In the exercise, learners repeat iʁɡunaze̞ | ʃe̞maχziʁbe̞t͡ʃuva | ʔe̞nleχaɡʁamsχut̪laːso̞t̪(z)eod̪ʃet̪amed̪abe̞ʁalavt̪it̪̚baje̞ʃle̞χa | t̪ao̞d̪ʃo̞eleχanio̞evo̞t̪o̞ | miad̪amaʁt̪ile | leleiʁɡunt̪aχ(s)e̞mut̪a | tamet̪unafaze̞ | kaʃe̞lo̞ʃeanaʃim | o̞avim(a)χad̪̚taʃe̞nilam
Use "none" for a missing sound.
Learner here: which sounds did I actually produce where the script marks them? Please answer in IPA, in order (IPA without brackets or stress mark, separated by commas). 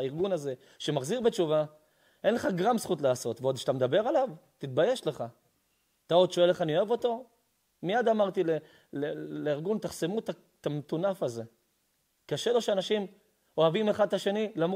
v, s, e